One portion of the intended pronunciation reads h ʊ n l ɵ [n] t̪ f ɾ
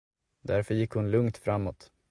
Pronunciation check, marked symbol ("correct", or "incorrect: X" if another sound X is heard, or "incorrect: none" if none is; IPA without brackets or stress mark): incorrect: ŋ